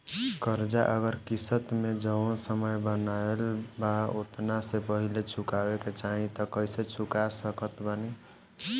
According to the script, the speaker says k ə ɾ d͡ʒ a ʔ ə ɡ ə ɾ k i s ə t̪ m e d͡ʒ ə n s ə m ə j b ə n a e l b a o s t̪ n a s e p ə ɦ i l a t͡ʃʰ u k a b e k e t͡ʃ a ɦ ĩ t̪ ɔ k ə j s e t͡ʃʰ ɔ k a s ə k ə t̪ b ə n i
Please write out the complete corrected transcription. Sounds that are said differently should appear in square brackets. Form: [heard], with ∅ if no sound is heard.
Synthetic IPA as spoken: k ə ɾ d͡ʒ a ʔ ə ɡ ə ɾ k i s ə t̪ m e d͡ʒ ə n s ə m ə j b ə n a e l b a o [∅] t̪ n a s e p ə ɦ i l [e] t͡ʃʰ u k a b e k e t͡ʃ a ɦ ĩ t̪ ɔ k ə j s e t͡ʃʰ [u] k a s ə k ə t̪ b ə n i